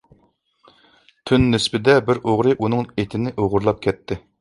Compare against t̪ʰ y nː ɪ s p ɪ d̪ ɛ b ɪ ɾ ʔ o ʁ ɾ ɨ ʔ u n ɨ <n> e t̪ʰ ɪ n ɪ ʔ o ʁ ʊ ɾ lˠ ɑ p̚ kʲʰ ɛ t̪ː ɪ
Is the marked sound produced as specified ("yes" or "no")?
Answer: no